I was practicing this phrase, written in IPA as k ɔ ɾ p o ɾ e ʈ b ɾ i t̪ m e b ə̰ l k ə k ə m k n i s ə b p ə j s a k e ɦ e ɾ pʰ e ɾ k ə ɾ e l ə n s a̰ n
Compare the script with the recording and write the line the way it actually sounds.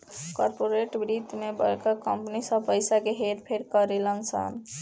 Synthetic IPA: k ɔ ɾ p o ɾ e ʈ b ɾ i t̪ m e b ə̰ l k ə k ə m p n i s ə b p ə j s a k e ɦ e ɾ pʰ e ɾ k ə ɾ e l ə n s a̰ n